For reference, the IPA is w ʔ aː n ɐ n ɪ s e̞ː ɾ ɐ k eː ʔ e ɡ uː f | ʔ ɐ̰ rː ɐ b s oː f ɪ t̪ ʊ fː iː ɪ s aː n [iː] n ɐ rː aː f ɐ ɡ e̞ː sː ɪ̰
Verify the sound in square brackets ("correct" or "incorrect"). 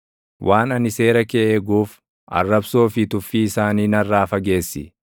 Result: correct